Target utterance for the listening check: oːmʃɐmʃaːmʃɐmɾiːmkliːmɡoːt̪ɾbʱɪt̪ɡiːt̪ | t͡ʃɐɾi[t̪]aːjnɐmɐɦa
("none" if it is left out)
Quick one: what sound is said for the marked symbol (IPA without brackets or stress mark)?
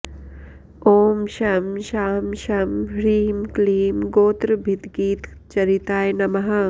t̪